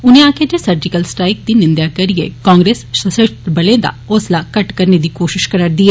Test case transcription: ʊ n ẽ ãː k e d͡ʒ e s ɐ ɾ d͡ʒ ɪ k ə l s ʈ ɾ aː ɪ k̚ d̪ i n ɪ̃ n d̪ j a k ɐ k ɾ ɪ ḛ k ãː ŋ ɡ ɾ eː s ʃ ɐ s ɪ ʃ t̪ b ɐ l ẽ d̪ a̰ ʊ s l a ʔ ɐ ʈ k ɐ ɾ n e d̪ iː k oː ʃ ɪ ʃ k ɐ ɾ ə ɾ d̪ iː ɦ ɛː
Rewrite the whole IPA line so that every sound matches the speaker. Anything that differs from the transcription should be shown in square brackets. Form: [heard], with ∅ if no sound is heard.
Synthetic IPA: ʊ n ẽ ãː k e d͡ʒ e s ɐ ɾ d͡ʒ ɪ k ə l s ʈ ɾ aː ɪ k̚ d̪ i n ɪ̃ n d̪ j a k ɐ [∅] ɾ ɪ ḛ k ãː ŋ ɡ ɾ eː s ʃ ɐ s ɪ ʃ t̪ b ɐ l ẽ d̪ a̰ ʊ s l a [k] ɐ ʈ k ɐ ɾ n e d̪ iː k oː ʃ ɪ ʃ k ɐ ɾ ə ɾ d̪ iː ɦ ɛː

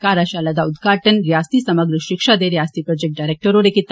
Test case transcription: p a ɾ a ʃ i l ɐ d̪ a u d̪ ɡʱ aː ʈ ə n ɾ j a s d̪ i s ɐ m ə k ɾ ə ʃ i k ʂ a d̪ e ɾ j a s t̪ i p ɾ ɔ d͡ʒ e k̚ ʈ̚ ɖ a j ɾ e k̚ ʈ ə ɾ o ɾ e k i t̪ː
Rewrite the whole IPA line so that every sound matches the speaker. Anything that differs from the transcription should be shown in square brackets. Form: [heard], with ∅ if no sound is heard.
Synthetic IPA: [k] a ɾ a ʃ [a] l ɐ d̪ a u d̪ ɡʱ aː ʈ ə n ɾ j a s [t̪] i s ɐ m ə [ɡ] ɾ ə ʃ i k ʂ a d̪ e ɾ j a s t̪ i p ɾ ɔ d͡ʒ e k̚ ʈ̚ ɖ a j ɾ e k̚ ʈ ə ɾ o ɾ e k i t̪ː

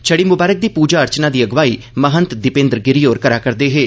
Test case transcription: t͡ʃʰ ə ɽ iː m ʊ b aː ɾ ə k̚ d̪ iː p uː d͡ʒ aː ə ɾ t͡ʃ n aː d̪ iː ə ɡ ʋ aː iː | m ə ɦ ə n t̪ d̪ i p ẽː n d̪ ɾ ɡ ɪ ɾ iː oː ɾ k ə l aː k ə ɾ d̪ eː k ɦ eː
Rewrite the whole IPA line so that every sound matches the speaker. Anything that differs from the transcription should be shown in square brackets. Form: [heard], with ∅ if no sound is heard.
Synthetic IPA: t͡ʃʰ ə ɽ iː m ʊ b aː ɾ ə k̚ d̪ iː p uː d͡ʒ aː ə ɾ t͡ʃ n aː d̪ iː ə ɡ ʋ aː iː | m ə ɦ ə n t̪ d̪ [ɪ] p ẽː n d̪ ɾ ɡ ɪ ɾ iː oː ɾ k ə [ɾ] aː k ə ɾ d̪ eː [∅] ɦ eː

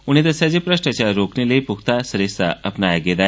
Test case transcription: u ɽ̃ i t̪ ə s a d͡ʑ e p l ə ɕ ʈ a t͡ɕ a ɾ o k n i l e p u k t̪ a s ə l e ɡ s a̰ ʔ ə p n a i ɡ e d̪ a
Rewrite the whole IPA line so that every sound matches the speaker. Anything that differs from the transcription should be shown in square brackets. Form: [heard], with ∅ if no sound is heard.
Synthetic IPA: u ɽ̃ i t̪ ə s a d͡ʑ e p [ɾ] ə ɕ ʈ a t͡ɕ a ɾ o k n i l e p u k t̪ a s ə [ɾ] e [∅] s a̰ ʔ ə p n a [j] ɡ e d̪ a

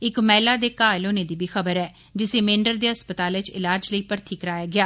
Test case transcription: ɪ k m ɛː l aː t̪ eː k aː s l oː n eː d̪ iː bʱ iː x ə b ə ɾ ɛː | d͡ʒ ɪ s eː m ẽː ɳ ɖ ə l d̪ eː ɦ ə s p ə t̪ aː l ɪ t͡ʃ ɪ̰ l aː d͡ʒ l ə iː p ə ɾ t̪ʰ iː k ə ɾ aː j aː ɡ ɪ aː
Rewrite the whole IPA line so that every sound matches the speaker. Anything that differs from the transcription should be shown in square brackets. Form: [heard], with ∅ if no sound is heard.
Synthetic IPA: ɪ k m ɛː l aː [d̪] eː k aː [∅] l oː n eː d̪ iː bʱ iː x ə b ə ɾ ɛː | d͡ʒ ɪ s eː m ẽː ɳ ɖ ə [ɾ] d̪ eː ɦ ə s p ə t̪ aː l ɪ t͡ʃ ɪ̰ l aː d͡ʒ l ə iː p ə ɾ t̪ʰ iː k ə ɾ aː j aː ɡ ɪ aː

